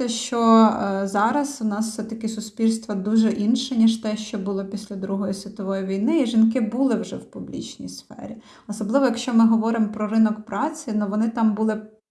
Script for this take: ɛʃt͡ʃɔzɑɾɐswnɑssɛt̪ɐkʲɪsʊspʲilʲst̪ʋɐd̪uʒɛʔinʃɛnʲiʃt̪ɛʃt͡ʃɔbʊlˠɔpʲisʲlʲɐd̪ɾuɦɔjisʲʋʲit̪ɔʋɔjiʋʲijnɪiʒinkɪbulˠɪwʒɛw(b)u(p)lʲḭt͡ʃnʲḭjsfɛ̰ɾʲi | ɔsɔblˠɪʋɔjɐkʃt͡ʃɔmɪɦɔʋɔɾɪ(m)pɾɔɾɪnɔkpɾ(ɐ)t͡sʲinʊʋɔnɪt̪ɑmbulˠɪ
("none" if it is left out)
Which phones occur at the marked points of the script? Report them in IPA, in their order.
p, b, m, ɑ

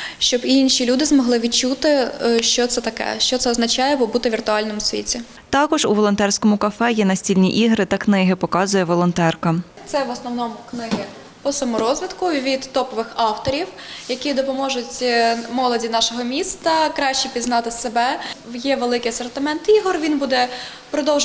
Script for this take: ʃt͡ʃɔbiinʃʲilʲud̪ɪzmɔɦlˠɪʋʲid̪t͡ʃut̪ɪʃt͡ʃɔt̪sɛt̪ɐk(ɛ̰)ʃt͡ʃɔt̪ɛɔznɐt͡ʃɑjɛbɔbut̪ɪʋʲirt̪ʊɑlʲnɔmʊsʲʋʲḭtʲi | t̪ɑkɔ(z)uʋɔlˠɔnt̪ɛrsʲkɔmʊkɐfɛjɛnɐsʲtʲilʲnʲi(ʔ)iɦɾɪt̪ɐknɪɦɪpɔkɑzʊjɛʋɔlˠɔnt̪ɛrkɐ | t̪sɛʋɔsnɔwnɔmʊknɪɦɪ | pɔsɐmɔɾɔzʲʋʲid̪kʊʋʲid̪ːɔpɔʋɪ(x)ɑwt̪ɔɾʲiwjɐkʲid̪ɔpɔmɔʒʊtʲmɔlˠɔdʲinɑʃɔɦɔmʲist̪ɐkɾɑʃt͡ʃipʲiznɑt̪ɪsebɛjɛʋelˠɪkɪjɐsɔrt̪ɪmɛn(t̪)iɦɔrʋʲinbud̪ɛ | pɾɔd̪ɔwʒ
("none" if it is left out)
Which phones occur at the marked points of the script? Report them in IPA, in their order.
ɛ̰, ʒ, ʔ, x, t̪

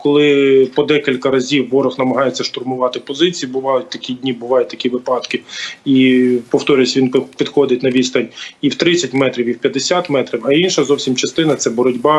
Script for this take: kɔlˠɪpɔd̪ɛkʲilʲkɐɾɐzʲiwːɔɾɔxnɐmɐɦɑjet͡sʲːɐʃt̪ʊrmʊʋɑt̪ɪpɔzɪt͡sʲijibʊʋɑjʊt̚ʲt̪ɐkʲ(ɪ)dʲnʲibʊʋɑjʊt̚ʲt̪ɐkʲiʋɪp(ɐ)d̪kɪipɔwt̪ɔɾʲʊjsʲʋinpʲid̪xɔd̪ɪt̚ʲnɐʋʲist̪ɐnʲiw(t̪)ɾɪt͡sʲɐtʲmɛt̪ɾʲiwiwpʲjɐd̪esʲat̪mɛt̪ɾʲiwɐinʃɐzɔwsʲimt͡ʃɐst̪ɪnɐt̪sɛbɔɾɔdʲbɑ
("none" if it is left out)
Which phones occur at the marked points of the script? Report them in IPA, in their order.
i, ɑ, t̪

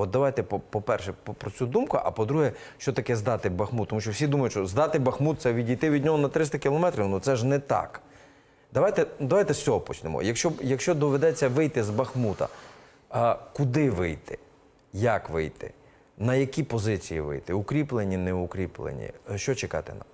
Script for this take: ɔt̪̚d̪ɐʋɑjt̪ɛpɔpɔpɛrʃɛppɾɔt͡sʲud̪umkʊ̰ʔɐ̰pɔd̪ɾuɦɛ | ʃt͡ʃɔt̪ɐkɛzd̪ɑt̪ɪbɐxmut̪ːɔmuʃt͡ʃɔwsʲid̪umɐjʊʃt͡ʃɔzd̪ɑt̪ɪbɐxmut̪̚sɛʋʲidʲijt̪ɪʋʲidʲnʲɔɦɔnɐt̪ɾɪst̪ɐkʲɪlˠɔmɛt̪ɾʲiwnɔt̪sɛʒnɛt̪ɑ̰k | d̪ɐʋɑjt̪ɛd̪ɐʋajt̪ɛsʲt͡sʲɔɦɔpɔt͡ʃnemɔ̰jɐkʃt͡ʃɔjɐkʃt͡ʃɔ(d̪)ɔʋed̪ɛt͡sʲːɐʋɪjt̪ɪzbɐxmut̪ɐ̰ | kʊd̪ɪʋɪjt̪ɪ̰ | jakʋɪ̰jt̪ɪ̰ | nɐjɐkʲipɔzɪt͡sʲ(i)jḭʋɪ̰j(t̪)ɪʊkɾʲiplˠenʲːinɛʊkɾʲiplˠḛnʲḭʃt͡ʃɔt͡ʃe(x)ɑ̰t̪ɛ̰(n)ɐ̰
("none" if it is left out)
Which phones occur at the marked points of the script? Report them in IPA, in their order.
d̪, i, t̪, k, n

